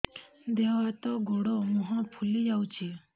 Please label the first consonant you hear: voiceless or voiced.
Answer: voiced